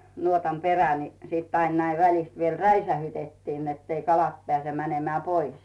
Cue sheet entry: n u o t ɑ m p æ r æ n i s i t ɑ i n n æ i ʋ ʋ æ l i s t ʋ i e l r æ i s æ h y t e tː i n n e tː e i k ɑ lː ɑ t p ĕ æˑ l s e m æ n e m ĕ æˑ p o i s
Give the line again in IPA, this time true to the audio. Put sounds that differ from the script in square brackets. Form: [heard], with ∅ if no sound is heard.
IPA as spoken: n u o t ɑ m p [e] r æ n i s i t ɑ i n n æ i ʋ ʋ æ l i s t ʋ i e l r æ i s æ h y t e tː i n n e tː e i k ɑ [l] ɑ t p ĕ æˑ [∅] s e m æ n e m ĕ æˑ p o i s